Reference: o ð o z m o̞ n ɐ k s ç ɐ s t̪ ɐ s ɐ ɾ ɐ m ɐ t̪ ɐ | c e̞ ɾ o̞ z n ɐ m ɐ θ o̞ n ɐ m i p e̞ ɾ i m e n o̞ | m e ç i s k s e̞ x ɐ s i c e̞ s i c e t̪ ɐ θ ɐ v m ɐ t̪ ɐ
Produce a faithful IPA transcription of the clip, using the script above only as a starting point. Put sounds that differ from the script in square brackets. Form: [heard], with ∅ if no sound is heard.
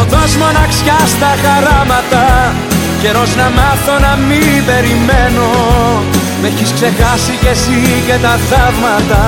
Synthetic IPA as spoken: o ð o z m o̞ n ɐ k s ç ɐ s t̪ ɐ [x] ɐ ɾ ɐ m ɐ t̪ ɐ | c e̞ ɾ o̞ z n ɐ m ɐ θ o̞ n ɐ m i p e̞ ɾ i m e n o̞ | m e ç i s k s e̞ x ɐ s i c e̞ s i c e t̪ ɐ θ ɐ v m ɐ t̪ ɐ